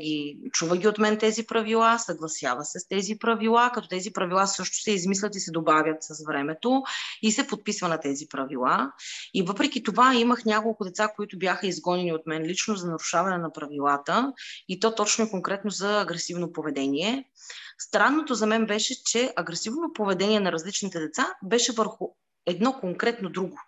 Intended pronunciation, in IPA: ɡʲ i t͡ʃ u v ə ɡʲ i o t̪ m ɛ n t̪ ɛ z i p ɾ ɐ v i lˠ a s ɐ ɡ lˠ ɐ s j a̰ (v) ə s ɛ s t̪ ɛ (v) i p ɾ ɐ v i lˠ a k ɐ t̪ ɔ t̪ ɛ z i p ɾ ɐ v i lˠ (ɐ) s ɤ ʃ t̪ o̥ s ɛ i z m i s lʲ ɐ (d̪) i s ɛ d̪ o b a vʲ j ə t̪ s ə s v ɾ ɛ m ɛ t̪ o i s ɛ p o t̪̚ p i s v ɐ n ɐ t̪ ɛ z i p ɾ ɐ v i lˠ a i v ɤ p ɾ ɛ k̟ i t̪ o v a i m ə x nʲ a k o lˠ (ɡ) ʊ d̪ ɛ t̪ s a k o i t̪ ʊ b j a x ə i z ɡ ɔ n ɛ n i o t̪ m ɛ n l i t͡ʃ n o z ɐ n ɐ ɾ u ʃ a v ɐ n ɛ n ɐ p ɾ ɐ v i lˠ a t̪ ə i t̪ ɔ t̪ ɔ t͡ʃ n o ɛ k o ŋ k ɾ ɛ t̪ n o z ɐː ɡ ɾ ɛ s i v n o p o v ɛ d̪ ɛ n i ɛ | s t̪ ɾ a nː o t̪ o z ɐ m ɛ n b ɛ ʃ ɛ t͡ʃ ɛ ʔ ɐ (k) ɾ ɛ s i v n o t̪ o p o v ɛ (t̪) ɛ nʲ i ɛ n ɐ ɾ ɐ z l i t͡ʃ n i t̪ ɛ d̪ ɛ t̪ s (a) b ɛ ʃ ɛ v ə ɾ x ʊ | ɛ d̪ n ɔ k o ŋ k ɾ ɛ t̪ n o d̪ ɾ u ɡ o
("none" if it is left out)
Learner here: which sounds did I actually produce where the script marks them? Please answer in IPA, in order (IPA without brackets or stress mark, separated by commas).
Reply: v, z, a, t̪, k, ɡ, d̪, a